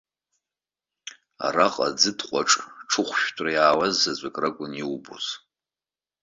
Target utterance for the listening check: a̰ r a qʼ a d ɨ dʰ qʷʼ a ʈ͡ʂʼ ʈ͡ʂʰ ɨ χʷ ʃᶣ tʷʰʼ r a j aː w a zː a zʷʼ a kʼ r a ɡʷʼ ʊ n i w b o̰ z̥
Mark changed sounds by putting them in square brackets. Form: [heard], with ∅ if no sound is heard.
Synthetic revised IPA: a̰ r a qʼ a [d͡z] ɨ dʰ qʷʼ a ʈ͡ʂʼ ʈ͡ʂʰ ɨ χʷ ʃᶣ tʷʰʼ r a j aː w a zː a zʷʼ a kʼ r a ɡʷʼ ʊ n i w b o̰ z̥